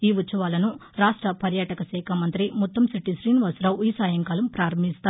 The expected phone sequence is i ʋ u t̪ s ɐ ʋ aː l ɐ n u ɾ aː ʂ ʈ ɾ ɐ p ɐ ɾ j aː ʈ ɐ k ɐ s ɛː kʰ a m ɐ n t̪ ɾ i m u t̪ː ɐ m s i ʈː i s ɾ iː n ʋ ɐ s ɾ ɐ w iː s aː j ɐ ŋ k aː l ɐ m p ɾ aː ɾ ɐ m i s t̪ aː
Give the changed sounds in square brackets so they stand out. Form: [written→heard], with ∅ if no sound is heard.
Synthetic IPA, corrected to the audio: [i→iː] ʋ u t̪ s ɐ ʋ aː l ɐ n u ɾ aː ʂ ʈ ɾ ɐ p ɐ ɾ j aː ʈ ɐ k ɐ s ɛː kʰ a m ɐ n t̪ ɾ i m u t̪ː ɐ m s i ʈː i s ɾ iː n ʋ ɐ s ɾ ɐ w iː s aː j ɐ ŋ k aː l ɐ m p ɾ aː ɾ ɐ m i s t̪ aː